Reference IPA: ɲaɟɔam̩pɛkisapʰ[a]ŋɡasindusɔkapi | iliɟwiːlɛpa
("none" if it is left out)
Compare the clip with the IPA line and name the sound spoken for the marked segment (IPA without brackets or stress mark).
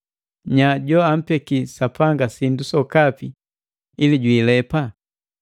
a